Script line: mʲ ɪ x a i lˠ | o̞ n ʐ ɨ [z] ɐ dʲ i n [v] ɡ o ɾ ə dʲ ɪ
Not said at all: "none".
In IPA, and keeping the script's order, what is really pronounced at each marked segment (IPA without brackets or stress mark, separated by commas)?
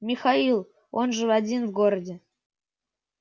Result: v, v